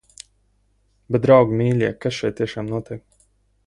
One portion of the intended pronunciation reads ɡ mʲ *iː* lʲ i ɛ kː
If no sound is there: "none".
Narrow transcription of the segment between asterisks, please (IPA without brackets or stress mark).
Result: iː